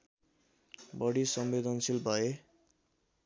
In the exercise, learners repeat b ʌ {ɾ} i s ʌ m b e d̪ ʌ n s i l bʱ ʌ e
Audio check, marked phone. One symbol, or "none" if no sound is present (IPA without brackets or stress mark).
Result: ɽ